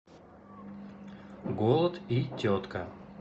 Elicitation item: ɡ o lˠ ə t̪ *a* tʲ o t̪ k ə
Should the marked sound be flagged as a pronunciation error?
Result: yes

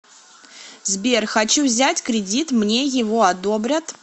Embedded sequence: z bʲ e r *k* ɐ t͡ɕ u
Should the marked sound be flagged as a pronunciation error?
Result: yes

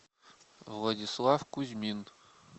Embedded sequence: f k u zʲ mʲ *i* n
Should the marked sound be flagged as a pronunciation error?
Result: no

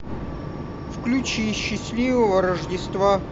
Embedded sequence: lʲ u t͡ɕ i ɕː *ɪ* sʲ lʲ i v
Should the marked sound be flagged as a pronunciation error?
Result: no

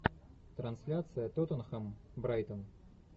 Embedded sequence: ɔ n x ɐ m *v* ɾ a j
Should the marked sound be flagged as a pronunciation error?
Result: yes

